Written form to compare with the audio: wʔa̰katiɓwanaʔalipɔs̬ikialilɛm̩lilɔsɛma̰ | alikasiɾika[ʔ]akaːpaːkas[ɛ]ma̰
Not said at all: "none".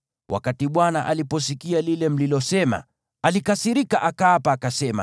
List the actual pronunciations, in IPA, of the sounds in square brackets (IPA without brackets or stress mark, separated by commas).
ʔ, ɛ